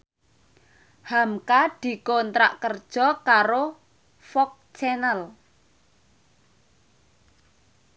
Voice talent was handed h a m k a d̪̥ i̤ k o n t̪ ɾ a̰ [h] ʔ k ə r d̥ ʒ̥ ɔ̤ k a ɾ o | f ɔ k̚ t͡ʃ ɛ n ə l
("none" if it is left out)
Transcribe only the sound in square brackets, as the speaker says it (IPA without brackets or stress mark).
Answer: none